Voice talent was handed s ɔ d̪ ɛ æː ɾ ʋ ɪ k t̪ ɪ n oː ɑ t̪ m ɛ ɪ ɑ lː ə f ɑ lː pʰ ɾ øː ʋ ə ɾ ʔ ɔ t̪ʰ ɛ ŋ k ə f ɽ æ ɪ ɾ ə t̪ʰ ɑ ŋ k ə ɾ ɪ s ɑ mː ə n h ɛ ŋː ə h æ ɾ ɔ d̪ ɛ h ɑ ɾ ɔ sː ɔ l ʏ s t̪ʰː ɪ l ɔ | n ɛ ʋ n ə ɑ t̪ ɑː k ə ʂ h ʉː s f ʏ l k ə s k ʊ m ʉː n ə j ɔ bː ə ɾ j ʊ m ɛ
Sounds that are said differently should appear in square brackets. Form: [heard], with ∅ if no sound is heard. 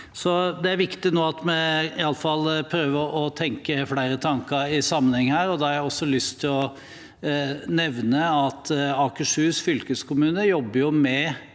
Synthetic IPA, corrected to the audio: s ɔ d̪ ɛ [æ] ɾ ʋ ɪ k t̪ ɪ n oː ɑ t̪ m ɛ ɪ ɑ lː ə f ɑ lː pʰ ɾ øː ʋ ə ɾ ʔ ɔ t̪ʰ ɛ ŋ k ə f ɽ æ ɪ ɾ ə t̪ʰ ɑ ŋ k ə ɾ ɪ s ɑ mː ə n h ɛ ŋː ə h [æː] ɾ ɔ d̪ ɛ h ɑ ɾ ɔ sː ɔ l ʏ s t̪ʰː ɪ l ɔ | n ɛ ʋ n ə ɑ t̪ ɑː k ə ʂ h ʉː s f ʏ l k ə s k ʊ m ʉː n ə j ɔ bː ə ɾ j ʊ m ɛ

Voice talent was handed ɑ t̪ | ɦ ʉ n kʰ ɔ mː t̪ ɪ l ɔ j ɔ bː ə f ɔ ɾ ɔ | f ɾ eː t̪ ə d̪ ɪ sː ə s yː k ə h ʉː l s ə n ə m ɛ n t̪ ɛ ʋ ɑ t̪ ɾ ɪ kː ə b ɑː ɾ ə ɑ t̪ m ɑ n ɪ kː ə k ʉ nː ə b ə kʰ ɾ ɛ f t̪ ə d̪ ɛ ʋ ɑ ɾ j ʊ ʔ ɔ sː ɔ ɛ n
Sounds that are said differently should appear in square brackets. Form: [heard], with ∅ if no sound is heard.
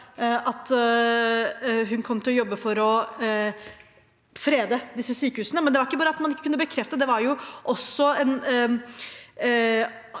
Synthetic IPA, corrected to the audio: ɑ t̪ | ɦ ʉ n kʰ ɔ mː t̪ ɪ l ɔ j ɔ bː ə f ɔ ɾ ɔ | f ɾ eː [d̪] ə d̪ ɪ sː ə s yː k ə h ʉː [∅] s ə n ə m ɛ n [d̪] ɛ ʋ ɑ [∅] ɾ ɪ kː ə b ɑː ɾ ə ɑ t̪ m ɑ n ɪ kː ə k ʉ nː ə b ə kʰ ɾ ɛ f t̪ ə d̪ ɛ ʋ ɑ ɾ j ʊ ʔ ɔ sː ɔ ɛ n

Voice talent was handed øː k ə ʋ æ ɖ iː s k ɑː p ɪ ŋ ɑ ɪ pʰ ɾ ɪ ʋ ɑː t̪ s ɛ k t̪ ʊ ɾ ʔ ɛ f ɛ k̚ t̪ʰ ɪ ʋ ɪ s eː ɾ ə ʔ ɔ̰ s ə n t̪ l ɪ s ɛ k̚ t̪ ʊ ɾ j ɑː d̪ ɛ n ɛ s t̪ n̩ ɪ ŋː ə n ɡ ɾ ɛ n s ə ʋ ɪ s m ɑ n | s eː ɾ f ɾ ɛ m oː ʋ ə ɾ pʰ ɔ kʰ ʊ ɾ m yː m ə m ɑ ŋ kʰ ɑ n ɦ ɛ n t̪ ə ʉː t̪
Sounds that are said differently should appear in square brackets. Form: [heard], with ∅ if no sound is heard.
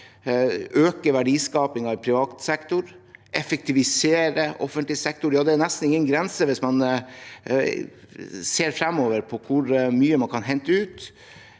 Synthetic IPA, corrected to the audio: øː k ə ʋ æ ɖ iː s k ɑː p ɪ ŋ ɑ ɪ pʰ ɾ ɪ ʋ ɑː t̪ s ɛ k t̪ ʊ ɾ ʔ ɛ f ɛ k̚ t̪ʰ ɪ ʋ ɪ s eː ɾ ə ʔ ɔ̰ [f] ə n t̪ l ɪ s ɛ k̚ t̪ ʊ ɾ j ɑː d̪ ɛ n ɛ s t̪ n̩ ɪ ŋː ə n ɡ ɾ ɛ n s ə ʋ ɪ s m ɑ n | s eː ɾ f ɾ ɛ m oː ʋ ə ɾ pʰ ɔ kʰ ʊ ɾ m yː [∅] ə m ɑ [n] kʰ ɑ n ɦ ɛ n t̪ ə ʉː t̪

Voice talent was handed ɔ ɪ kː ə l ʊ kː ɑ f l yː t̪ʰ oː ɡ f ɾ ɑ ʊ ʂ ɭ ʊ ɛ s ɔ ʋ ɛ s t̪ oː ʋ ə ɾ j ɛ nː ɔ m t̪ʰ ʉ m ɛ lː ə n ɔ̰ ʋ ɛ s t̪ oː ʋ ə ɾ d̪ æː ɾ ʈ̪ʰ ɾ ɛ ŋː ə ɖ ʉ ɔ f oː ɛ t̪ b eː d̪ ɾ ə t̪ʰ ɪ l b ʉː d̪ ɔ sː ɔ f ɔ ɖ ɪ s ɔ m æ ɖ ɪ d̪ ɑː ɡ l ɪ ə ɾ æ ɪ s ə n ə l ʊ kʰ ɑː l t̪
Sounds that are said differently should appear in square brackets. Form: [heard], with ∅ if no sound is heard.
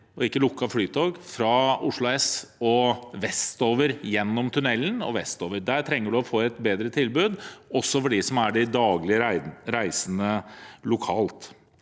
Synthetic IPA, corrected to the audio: ɔ ɪ kː ə l ʊ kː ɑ f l yː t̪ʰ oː ɡ f ɾ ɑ ʊ ʂ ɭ ʊ ɛ s ɔ ʋ ɛ s t̪ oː ʋ ə ɾ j ɛ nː ɔ m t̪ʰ ʉ [n] ɛ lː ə n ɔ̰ ʋ ɛ s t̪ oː ʋ ə ɾ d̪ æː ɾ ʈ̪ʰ ɾ ɛ ŋː ə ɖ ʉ ɔ f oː ɛ t̪ b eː d̪ ɾ ə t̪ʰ ɪ l b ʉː d̪ ɔ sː ɔ f ɔ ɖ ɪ s ɔ m æ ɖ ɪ d̪ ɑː ɡ l ɪ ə ɾ æ ɪ s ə n ə l ʊ kʰ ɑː l t̪

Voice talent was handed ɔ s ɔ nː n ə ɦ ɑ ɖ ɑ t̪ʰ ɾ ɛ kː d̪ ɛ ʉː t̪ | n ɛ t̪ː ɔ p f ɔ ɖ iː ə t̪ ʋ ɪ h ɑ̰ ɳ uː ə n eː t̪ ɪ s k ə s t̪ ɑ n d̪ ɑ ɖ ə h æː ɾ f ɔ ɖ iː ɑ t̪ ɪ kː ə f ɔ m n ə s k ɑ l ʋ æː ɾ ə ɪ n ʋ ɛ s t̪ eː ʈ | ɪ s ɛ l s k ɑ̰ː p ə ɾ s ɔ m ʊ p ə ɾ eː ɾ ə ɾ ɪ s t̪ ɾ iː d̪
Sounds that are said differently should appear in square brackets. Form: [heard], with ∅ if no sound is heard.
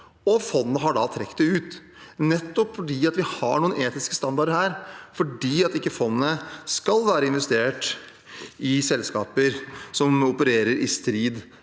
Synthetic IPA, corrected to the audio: ɔ [f] ɔ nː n ə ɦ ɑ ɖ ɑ t̪ʰ ɾ ɛ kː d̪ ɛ ʉː t̪ | n ɛ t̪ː ɔ p f ɔ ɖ iː [ɑ] t̪ ʋ ɪ h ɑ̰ ɳ uː ə n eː t̪ ɪ s k ə s t̪ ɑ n d̪ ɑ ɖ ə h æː ɾ f ɔ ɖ iː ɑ t̪ ɪ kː ə f ɔ [n] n ə s k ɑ l ʋ æː ɾ ə ɪ n ʋ ɛ s t̪ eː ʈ | ɪ s ɛ l s k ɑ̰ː p ə ɾ s ɔ m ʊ p ə ɾ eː ɾ ə ɾ ɪ s t̪ ɾ iː d̪

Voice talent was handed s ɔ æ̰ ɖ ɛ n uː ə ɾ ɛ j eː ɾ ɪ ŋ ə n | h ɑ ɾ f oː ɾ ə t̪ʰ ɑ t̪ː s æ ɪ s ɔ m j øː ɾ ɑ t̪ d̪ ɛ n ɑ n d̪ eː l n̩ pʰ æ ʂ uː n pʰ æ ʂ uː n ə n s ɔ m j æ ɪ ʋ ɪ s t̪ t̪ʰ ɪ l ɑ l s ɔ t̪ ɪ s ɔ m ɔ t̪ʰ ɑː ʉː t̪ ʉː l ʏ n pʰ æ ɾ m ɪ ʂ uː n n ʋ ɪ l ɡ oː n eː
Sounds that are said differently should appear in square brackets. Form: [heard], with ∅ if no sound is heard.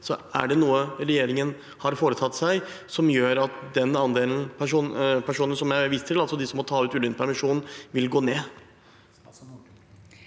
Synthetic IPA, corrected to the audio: s ɔ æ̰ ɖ ɛ n uː ə ɾ ɛ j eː ɾ ɪ ŋ ə n | h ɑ ɾ f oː ɾ ə t̪ʰ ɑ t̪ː s æ ɪ s ɔ m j øː ɾ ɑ t̪ d̪ ɛ n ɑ n d̪ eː l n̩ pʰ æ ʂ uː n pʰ æ ʂ uː n ə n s ɔ m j æ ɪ ʋ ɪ s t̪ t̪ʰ ɪ l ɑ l s ɔ [d̪] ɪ s ɔ m ɔ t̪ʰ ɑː ʉː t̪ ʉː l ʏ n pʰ æ ɾ m ɪ ʂ uː n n ʋ ɪ l ɡ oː n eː

